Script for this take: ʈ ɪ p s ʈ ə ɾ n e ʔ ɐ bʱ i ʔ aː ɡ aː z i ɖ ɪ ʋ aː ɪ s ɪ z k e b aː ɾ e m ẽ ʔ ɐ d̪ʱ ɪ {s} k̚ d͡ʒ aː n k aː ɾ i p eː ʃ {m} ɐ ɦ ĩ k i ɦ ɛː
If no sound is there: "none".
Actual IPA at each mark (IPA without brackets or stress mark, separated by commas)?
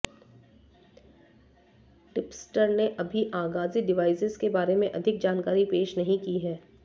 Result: none, n